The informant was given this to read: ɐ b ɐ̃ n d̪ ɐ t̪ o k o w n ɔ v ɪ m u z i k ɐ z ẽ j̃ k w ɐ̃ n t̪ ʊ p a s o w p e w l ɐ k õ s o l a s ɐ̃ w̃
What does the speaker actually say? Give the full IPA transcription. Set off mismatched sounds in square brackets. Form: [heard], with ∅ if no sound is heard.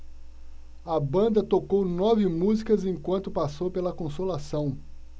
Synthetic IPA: ɐ b ɐ̃ n d̪ ɐ t̪ o k o w n ɔ v ɪ m u z i k ɐ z ẽ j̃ k w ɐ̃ n t̪ ʊ p a s o w p e [∅] l ɐ k õ s o l a s ɐ̃ w̃